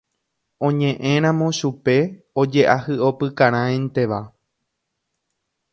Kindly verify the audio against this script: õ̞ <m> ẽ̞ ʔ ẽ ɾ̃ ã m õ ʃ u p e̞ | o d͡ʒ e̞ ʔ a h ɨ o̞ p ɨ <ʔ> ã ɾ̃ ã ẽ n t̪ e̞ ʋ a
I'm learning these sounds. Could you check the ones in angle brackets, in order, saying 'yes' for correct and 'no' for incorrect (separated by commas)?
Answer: no, no